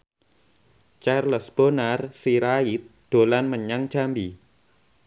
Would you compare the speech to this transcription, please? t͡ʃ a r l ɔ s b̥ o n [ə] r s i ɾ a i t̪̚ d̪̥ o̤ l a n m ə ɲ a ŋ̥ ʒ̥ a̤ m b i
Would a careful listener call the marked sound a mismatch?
yes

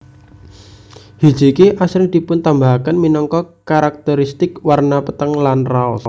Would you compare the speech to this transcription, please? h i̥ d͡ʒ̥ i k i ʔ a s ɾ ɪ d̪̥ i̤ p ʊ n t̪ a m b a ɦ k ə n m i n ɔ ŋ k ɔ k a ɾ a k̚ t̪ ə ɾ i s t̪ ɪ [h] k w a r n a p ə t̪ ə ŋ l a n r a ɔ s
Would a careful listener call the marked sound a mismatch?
yes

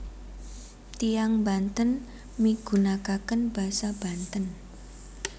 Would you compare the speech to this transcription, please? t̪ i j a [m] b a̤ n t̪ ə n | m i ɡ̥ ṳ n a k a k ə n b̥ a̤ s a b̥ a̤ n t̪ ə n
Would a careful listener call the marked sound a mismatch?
yes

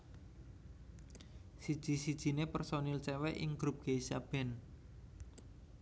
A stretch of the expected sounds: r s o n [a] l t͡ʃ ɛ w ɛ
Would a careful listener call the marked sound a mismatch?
yes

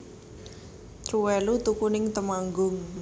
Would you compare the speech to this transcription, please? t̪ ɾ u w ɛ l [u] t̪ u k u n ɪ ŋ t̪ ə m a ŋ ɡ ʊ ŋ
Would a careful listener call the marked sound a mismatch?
no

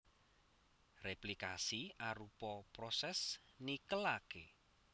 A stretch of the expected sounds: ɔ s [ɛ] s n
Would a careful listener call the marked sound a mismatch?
no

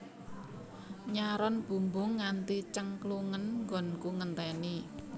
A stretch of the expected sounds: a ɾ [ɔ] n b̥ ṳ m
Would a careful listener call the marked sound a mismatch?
no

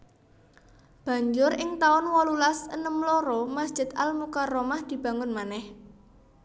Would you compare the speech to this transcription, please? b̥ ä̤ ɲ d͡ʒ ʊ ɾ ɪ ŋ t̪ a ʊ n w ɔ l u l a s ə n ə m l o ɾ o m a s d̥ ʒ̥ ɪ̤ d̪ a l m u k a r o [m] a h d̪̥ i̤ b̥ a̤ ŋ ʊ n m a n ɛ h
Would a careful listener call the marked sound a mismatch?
no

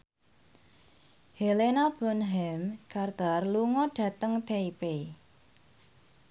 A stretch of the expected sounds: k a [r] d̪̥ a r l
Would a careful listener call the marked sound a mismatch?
no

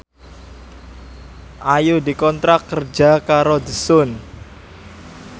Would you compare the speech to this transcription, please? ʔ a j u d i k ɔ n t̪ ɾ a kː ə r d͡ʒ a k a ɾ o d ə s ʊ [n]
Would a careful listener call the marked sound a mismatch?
no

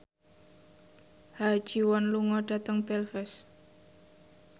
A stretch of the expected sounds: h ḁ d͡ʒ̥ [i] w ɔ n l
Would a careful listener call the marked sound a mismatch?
no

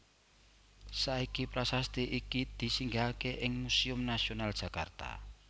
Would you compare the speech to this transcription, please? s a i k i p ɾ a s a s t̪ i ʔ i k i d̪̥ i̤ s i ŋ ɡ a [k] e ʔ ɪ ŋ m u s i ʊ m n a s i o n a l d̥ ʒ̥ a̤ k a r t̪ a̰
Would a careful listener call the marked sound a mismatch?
no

